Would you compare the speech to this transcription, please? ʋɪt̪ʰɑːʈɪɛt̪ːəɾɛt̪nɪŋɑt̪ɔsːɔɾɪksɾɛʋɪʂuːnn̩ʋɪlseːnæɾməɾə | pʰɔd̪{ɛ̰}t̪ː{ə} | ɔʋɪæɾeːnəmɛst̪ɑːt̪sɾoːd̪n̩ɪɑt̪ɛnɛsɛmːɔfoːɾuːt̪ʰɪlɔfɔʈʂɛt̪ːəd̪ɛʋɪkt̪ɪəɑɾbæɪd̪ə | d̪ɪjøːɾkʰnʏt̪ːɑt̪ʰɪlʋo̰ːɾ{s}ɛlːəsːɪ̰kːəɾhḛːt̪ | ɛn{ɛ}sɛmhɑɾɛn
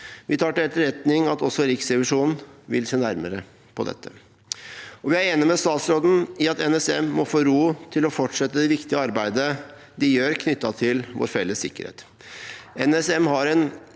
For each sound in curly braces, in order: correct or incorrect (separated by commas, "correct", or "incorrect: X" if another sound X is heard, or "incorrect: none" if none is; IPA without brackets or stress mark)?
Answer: correct, correct, incorrect: f, correct